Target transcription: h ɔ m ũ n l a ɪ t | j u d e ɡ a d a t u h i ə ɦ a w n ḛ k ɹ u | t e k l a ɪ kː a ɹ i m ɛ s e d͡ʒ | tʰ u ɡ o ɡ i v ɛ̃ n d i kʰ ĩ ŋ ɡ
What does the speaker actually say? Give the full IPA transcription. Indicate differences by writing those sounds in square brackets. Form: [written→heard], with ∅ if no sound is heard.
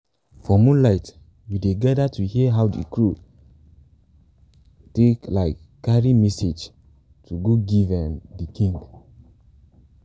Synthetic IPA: [h→f] ɔ m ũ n l a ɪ t | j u d e ɡ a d a t u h i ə ɦ a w [n→d] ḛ k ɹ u | t e k l a ɪ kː a ɹ i m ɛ s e d͡ʒ | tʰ u ɡ o ɡ i v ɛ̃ n d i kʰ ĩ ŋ ɡ